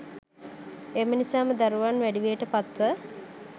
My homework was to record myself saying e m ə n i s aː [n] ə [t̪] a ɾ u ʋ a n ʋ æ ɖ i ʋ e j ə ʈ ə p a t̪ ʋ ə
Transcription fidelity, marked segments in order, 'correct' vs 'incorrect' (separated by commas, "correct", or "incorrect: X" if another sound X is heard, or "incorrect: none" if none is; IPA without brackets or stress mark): incorrect: m, incorrect: d̪